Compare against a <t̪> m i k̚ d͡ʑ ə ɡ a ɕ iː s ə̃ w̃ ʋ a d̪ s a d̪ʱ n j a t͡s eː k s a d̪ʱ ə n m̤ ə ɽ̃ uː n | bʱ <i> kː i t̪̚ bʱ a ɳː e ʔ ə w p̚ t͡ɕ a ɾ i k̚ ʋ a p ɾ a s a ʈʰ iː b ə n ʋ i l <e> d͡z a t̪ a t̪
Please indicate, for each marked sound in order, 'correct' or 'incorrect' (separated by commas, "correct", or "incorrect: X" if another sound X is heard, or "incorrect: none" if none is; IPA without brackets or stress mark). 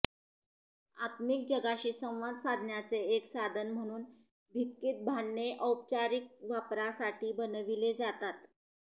correct, correct, correct